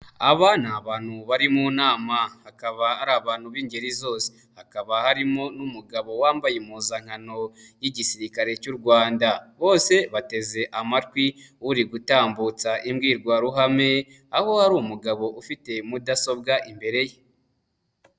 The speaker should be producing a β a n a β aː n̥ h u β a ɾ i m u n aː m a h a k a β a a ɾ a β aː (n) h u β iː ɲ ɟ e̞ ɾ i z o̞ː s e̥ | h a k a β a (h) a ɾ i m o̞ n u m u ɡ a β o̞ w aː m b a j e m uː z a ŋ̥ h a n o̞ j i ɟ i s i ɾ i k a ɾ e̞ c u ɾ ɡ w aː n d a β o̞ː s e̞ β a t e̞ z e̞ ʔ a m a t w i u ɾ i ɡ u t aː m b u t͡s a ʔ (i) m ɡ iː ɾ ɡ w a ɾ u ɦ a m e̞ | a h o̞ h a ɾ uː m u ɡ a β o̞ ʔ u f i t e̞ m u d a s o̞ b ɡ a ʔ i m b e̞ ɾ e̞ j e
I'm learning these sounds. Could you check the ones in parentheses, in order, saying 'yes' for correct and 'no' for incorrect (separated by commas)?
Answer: yes, yes, yes